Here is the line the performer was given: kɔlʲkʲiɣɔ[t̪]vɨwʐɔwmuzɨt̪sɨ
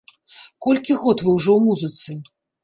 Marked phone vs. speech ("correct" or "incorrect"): correct